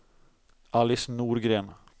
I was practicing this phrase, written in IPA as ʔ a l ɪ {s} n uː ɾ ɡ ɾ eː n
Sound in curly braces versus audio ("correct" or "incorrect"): correct